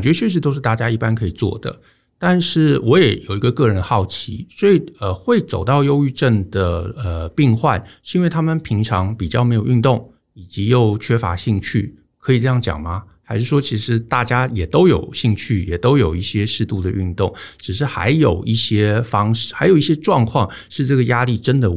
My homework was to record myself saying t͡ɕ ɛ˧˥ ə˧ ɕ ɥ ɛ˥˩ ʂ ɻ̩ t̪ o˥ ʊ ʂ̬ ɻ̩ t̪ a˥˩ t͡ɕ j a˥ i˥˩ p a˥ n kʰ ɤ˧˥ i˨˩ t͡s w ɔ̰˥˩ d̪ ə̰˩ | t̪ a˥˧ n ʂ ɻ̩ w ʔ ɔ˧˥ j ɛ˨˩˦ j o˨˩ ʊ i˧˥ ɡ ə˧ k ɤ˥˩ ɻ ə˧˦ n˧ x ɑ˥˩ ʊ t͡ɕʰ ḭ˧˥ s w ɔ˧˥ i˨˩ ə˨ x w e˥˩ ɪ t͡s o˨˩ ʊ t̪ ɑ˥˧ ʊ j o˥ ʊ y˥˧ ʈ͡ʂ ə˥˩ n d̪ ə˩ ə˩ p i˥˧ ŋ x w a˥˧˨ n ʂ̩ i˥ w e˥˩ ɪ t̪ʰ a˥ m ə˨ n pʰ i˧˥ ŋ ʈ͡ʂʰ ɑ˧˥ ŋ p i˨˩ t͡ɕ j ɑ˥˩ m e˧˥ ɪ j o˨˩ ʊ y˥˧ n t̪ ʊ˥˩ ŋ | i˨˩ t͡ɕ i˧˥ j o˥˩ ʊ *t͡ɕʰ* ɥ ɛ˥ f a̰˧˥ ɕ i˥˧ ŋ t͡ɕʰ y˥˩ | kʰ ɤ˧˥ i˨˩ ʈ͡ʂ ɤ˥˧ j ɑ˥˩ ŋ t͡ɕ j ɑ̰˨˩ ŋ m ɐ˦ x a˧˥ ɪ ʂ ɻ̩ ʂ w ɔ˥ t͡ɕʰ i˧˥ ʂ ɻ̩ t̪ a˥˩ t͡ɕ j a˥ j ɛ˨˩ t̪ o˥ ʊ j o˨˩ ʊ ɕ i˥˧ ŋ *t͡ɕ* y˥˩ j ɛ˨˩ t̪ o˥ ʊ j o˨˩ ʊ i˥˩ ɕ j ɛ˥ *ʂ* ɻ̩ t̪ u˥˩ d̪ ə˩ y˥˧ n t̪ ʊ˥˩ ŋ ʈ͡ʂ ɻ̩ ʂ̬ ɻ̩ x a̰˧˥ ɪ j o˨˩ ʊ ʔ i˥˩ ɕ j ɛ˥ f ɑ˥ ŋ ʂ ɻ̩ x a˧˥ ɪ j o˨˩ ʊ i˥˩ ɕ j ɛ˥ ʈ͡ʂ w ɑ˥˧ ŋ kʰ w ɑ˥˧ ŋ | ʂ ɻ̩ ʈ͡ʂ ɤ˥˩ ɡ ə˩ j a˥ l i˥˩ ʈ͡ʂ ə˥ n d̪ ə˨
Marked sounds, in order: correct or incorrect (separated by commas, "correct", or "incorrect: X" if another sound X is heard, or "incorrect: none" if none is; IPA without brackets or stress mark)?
correct, incorrect: t͡ɕʰ, correct